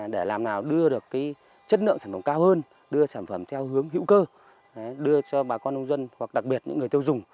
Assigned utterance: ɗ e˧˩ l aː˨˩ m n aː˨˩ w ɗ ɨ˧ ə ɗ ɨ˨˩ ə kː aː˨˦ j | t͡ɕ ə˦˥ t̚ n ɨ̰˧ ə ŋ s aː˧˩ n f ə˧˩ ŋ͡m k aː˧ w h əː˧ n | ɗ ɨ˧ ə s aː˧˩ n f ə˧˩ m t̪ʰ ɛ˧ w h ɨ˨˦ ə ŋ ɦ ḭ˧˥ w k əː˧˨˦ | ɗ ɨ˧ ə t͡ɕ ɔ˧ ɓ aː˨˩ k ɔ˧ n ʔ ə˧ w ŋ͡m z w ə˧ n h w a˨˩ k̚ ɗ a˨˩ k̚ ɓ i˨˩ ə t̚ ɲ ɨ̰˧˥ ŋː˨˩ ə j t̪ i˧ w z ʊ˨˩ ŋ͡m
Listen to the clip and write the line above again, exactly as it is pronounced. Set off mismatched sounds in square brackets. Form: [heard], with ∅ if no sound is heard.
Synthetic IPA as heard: ɗ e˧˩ l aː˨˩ m n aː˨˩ w ɗ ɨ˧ ə ɗ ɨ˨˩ ə kː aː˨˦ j | t͡ɕ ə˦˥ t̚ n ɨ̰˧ ə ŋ s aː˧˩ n f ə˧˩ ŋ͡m k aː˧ w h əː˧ n | ɗ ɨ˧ ə s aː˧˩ n f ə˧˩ m t̪ʰ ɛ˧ w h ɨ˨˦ ə ŋ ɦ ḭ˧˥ w k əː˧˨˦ | ɗ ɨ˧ ə t͡ɕ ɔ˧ ɓ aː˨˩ k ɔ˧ n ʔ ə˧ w ŋ͡m z w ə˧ n h w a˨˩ k̚ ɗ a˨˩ k̚ ɓ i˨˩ ə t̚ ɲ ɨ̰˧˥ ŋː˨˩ ə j t̪ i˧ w z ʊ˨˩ ŋ͡m